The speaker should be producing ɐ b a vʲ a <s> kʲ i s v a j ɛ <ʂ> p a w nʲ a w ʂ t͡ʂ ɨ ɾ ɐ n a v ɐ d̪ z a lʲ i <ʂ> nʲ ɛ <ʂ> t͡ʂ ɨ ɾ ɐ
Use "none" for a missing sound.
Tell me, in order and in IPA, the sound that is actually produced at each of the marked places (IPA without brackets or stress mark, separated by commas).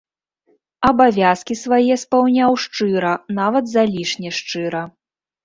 s, s, ʂ, ʂ